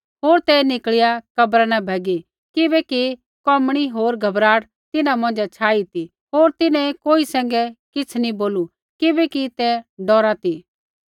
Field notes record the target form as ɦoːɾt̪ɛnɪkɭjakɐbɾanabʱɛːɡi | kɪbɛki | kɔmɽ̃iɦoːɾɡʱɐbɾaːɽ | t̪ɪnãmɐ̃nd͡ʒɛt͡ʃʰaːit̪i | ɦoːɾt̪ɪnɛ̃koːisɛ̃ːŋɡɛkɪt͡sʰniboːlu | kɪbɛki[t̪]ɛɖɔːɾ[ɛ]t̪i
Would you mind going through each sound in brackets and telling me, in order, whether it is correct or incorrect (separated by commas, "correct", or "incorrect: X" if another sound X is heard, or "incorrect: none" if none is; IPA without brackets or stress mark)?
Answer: correct, incorrect: a